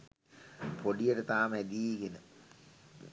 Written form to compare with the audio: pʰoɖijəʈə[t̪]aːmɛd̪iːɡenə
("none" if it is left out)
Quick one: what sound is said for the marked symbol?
t̪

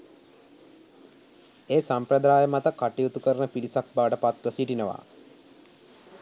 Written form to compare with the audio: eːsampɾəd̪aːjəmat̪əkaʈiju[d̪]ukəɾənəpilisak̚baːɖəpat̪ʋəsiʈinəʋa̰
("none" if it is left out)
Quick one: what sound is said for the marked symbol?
t̪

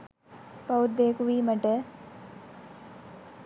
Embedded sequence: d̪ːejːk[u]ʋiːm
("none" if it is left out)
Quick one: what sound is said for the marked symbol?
u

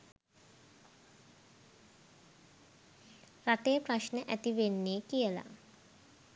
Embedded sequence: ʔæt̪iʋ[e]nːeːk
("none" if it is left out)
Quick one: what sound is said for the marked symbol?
e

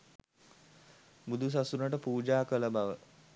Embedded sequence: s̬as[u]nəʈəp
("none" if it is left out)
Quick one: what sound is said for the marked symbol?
u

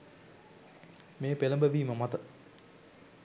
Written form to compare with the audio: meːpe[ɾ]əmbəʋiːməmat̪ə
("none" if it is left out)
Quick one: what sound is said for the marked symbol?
l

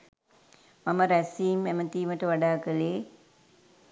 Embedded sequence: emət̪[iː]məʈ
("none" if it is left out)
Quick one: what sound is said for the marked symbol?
iː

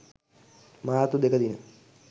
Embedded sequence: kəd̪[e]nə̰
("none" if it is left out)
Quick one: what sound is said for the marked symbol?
i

